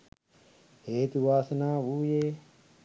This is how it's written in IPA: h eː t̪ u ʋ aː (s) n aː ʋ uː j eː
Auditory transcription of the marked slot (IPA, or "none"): s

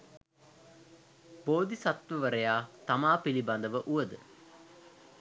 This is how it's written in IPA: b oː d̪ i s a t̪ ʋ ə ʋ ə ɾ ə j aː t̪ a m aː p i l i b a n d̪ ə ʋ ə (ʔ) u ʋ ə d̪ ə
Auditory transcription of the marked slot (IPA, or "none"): ʔ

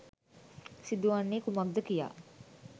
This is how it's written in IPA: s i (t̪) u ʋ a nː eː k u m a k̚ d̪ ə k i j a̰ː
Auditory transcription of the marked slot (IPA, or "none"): d̪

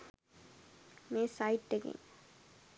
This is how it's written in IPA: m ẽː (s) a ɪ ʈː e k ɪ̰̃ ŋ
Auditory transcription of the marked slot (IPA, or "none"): s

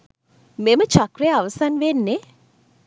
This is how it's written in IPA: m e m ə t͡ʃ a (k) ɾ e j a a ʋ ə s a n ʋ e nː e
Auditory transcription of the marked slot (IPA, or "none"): k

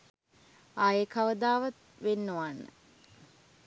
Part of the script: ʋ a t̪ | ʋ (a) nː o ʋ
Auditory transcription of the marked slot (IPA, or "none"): e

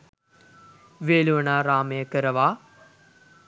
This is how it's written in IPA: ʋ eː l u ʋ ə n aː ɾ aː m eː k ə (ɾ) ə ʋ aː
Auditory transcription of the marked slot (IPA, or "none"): ɾ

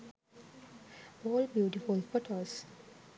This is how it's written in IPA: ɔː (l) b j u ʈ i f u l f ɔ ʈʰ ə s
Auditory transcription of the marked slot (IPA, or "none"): l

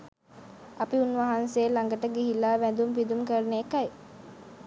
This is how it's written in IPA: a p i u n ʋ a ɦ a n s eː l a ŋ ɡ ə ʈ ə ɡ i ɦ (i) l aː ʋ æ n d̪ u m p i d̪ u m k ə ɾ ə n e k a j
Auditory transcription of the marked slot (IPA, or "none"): i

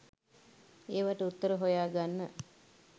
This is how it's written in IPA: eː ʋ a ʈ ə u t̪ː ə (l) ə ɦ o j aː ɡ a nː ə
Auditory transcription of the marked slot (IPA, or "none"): ɾ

